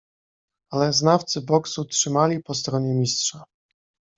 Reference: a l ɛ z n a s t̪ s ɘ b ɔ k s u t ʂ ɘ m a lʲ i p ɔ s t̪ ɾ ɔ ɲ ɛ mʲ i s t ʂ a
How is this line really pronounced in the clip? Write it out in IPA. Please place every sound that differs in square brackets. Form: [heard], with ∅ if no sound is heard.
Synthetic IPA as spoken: a l ɛ z n a [f] t̪ s ɘ b ɔ k s u t ʂ ɘ m a lʲ i p ɔ s t̪ ɾ ɔ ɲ ɛ mʲ i s t ʂ a